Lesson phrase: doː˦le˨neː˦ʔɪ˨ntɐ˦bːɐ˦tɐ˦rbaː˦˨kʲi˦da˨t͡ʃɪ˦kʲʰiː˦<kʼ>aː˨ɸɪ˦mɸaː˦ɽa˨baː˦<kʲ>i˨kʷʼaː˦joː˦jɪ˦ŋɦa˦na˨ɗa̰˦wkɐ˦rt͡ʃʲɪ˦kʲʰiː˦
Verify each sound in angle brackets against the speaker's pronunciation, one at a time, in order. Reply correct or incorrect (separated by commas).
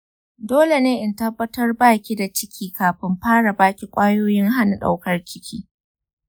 incorrect, correct